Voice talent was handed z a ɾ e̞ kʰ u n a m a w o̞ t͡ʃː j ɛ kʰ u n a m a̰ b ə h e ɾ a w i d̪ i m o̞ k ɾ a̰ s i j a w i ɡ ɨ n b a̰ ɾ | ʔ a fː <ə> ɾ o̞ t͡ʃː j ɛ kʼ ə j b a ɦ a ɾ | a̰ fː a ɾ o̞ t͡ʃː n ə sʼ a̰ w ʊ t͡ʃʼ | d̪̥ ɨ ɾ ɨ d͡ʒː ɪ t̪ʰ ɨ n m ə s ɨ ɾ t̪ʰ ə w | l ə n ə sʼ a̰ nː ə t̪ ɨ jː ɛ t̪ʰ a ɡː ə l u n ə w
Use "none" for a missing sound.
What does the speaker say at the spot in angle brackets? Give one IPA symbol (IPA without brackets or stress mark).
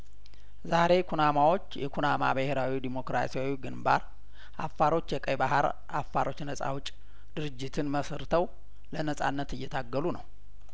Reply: a